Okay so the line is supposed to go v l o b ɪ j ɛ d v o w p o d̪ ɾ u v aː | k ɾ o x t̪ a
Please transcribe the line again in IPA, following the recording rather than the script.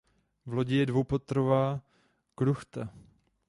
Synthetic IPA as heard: v l o ɟ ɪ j ɛ d v o w p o t̪ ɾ o v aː | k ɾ u x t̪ a